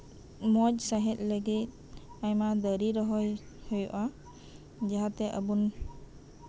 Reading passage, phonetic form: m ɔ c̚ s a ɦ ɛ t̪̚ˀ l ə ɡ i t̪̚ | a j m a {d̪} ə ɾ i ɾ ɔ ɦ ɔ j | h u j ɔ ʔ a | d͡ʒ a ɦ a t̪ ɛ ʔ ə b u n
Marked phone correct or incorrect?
correct